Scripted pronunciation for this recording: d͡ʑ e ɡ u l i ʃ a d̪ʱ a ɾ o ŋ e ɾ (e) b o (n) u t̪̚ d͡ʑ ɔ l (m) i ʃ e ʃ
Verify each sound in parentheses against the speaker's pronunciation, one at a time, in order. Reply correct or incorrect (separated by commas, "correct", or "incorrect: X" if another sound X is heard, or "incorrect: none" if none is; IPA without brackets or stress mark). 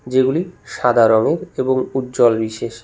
correct, incorrect: ŋ, incorrect: b